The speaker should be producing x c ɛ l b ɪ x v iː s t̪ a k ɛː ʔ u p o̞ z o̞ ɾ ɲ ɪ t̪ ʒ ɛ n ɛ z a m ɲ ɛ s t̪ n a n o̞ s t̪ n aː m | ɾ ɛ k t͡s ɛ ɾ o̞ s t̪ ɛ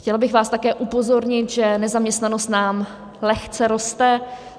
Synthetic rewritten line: x c ɛ l b ɪ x v aː s t̪ a k ɛː ʔ u p o̞ z o̞ ɾ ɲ ɪ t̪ ʒ ɛ n ɛ z a m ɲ ɛ s t̪ n a n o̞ s t̪ n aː m | l ɛ x t͡s ɛ ɾ o̞ s t̪ ɛ